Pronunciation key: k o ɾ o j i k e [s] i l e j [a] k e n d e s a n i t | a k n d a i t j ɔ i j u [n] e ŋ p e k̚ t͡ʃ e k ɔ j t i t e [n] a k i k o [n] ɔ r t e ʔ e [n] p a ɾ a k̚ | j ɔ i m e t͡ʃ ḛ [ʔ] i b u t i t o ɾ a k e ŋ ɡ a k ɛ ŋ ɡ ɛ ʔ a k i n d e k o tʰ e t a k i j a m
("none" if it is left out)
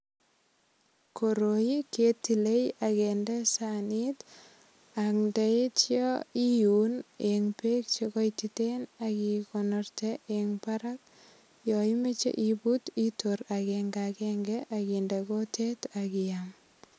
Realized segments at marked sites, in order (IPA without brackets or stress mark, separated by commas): t, a, n, n, n, ŋ, ʔ